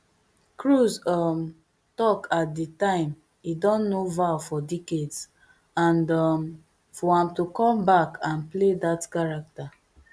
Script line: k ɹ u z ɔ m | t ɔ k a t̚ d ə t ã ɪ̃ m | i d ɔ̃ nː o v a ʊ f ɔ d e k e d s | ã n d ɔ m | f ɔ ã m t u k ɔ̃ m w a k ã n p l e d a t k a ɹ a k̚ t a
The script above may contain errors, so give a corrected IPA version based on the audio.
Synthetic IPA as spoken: k ɹ u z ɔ m | t ɔ k a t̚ d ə t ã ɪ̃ m | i d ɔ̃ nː o v a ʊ f ɔ d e k e d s | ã n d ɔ m | f ɔ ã m t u k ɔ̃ m b a k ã n p l e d a t k a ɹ a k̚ t a